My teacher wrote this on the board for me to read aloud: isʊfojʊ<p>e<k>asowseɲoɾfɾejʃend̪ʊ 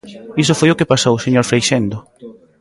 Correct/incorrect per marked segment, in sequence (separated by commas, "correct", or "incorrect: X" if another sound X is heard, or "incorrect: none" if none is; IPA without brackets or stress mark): incorrect: k, incorrect: p